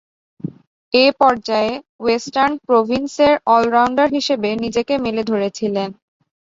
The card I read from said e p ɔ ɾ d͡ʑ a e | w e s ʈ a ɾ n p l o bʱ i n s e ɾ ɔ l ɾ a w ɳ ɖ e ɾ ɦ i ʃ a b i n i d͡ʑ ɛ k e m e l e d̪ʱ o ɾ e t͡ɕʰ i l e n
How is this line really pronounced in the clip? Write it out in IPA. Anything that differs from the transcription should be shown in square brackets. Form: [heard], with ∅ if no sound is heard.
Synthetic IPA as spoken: e p ɔ ɾ d͡ʑ a e | w e s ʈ a ɾ n p [ɾ] o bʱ i n s e ɾ ɔ l ɾ a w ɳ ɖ [a] ɾ ɦ i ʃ [e] b [e] n i d͡ʑ [e] k e m e l e d̪ʱ o ɾ e t͡ɕʰ i l e n